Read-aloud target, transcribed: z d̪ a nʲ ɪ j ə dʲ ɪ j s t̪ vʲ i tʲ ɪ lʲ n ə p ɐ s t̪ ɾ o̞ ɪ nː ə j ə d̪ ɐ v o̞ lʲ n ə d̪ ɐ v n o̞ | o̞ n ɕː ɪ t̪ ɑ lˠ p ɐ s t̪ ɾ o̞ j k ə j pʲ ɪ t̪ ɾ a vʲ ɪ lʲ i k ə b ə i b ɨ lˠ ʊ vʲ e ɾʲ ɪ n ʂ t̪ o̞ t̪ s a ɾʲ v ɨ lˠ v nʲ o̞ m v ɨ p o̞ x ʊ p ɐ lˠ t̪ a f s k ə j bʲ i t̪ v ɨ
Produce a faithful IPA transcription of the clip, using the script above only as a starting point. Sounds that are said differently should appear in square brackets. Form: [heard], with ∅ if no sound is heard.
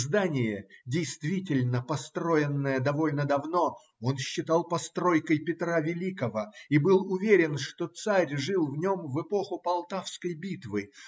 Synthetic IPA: z d̪ a nʲ ɪ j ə dʲ ɪ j s t̪ vʲ i tʲ ɪ lʲ n ə p ɐ s t̪ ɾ o̞ ɪ nː ə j ə d̪ ɐ v o̞ lʲ n ə d̪ ɐ v n o̞ | o̞ n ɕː ɪ t̪ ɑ lˠ p ɐ s t̪ ɾ o̞ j k ə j pʲ ɪ t̪ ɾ a vʲ ɪ lʲ i k ə [v] ə i b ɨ lˠ ʊ vʲ e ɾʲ ɪ n ʂ t̪ o̞ t̪ s a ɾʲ [ʐ] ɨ lˠ v nʲ o̞ m v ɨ p o̞ x ʊ p ɐ lˠ t̪ a f s k ə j bʲ i t̪ v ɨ

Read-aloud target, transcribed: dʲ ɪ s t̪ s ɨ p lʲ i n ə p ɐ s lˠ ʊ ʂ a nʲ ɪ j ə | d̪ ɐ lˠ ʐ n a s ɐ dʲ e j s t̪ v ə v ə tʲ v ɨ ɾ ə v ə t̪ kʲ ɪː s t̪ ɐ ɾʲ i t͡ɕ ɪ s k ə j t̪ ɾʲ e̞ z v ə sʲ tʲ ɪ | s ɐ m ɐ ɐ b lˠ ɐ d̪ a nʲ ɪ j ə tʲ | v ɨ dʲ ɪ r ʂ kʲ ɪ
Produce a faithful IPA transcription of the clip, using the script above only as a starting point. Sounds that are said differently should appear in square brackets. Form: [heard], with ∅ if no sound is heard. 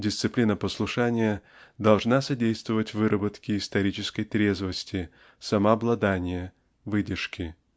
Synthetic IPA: dʲ ɪ s t̪ s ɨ p lʲ i n ə p [ə] s lˠ ʊ ʂ a nʲ ɪ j ə | d̪ ɐ lˠ ʐ n a s ɐ dʲ e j s t̪ v ə v ə tʲ v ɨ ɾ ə [b] ə t̪ kʲ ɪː s t̪ ɐ ɾʲ i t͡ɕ ɪ s k ə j t̪ ɾʲ e̞ z v ə sʲ tʲ ɪ | s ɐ m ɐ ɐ b lˠ ɐ d̪ a nʲ ɪ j ə [∅] | v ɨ dʲ ɪ r ʂ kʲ ɪ

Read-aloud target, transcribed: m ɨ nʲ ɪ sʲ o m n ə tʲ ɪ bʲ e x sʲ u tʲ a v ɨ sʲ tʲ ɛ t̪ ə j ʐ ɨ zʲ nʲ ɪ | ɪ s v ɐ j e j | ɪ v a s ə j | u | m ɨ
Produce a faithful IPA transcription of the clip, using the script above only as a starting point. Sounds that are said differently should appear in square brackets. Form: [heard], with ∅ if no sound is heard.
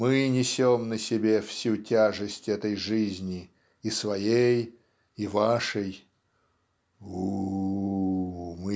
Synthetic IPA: m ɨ nʲ ɪ sʲ o m n ə [sʲ] ɪ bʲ e [f] sʲ u tʲ a [ʐ] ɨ sʲ tʲ ɛ t̪ ə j ʐ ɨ zʲ nʲ ɪ | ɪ s v ɐ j e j | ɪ v a [ʂ] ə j | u | m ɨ

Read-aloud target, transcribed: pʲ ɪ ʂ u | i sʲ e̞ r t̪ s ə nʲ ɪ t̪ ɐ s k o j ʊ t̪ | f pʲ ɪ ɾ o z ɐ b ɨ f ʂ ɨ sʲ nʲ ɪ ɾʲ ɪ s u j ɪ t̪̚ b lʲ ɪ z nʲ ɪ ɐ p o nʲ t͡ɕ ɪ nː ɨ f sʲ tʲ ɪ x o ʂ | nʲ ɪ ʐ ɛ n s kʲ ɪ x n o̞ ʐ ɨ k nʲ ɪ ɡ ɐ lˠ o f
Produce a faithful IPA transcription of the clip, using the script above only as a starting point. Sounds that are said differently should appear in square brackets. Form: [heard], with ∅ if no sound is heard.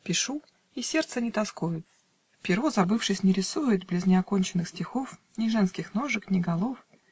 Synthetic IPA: pʲ ɪ ʂ u | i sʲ e̞ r t̪ s ə nʲ ɪ t̪ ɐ s k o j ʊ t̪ | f pʲ ɪ ɾ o z ɐ b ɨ f ʂ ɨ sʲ nʲ ɪ ɾʲ ɪ s u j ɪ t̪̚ b lʲ ɪ z nʲ ɪ ɐ [k] o nʲ t͡ɕ ɪ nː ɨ [x] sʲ tʲ ɪ x o [f] | nʲ ɪ ʐ ɛ n s kʲ ɪ x n o̞ ʐ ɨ k nʲ ɪ ɡ ɐ lˠ o f

